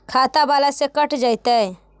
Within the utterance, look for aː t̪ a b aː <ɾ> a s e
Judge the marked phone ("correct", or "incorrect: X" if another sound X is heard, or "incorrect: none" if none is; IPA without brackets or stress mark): incorrect: l